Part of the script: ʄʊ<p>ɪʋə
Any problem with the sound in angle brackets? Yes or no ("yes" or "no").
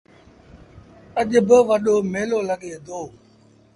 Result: yes